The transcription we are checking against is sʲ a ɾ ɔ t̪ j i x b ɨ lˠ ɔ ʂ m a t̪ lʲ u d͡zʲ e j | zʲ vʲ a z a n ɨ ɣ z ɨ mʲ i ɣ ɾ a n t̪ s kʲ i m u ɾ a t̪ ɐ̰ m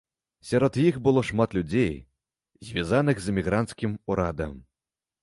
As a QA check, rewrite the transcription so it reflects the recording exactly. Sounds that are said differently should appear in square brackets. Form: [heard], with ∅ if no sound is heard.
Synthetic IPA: sʲ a ɾ ɔ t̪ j i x b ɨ lˠ ɔ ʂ m a t̪ lʲ u d͡zʲ e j | zʲ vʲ a z a n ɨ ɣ z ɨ mʲ i ɣ ɾ a n t̪ s kʲ i m u ɾ a [d̪] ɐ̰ m